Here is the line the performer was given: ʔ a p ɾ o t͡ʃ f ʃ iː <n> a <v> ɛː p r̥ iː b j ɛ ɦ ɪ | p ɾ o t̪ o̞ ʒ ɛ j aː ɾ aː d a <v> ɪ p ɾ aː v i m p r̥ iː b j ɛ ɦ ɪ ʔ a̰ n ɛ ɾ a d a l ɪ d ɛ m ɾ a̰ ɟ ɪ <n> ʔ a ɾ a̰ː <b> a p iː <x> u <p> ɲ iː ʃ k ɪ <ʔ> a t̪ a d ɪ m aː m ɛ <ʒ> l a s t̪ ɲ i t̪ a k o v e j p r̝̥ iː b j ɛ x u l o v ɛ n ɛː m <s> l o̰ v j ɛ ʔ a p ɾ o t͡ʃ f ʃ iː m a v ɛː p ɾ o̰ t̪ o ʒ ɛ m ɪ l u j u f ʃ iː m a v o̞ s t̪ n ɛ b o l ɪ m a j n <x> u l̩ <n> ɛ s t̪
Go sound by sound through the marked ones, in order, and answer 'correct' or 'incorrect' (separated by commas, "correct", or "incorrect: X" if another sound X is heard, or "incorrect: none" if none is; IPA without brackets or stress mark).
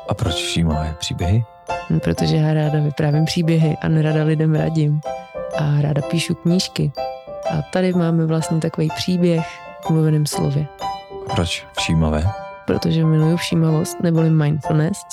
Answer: incorrect: m, correct, correct, incorrect: m, incorrect: d, incorrect: ʃ, incorrect: k, correct, incorrect: v, correct, incorrect: f, correct